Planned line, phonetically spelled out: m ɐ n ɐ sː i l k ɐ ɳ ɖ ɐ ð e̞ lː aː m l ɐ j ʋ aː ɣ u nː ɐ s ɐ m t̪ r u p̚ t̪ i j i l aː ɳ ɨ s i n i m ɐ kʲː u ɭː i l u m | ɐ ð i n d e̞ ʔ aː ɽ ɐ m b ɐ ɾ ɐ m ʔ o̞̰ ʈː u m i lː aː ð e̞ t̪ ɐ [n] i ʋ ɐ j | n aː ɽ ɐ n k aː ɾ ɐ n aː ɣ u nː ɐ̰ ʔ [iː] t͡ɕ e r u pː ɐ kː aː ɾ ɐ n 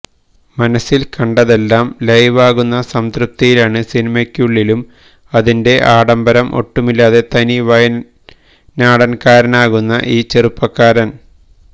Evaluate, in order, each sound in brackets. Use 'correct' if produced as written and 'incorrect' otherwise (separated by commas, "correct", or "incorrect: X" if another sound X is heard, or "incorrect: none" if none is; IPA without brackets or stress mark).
correct, correct